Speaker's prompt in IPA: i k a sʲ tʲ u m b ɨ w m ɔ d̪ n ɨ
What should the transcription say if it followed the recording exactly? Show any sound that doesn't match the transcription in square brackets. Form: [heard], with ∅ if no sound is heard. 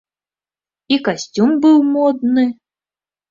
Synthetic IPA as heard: i k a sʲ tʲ u m b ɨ w m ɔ d̪ n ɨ